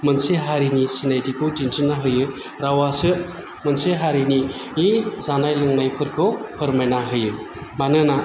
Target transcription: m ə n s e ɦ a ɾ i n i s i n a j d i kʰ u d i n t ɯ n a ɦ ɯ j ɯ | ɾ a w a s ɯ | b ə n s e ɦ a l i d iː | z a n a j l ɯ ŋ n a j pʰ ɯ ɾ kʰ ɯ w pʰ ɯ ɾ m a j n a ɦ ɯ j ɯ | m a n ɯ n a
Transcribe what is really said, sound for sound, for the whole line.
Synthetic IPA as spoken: m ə n s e ɦ a ɾ i n i s i n a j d i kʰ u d i n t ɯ n a ɦ ɯ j ɯ | ɾ a w a s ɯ | m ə n s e ɦ a ɾ i n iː | z a n a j l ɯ ŋ n a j pʰ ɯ ɾ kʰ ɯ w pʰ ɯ ɾ m a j n a ɦ ɯ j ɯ | m a n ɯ n a